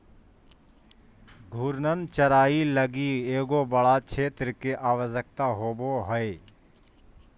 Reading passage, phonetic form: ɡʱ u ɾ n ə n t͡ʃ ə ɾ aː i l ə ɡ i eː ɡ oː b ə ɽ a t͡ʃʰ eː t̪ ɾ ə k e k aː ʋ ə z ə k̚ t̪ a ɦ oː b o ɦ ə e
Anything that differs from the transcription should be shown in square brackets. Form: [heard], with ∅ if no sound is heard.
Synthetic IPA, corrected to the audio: ɡʱ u ɾ n ə n t͡ʃ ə ɾ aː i l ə ɡ i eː ɡ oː b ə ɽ a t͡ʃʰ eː t̪ ɾ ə k e [ʔ] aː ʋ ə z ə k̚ t̪ a ɦ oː b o ɦ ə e